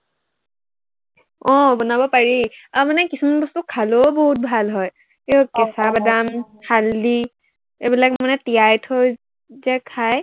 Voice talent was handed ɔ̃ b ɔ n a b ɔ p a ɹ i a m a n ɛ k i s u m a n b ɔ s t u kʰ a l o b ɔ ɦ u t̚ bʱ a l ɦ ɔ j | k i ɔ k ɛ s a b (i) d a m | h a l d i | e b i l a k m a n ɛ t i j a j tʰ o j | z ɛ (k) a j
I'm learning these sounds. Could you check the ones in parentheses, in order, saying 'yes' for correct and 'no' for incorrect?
no, no

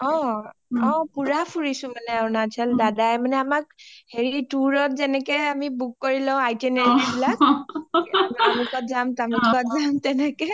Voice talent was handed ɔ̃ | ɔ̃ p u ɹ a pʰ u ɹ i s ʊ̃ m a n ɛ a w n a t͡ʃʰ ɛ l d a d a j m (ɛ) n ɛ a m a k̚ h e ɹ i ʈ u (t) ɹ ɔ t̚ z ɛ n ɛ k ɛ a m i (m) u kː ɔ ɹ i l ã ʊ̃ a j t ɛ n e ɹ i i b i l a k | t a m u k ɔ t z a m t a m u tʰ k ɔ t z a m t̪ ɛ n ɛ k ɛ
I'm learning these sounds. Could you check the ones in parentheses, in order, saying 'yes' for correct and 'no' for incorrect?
no, no, no

